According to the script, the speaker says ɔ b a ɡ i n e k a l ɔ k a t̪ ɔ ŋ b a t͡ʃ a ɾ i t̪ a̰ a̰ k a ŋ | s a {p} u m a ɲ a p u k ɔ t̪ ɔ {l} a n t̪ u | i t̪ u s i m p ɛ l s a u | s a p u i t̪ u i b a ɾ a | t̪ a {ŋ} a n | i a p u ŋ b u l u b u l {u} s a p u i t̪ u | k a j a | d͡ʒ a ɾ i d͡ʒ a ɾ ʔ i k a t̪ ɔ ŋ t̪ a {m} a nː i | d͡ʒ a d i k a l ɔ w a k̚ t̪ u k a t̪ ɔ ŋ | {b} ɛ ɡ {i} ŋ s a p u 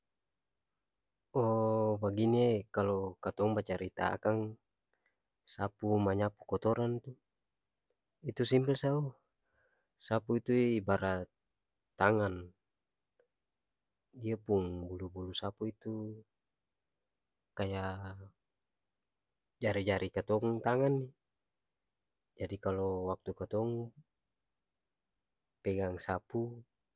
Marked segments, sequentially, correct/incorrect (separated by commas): correct, incorrect, correct, correct, incorrect, incorrect, incorrect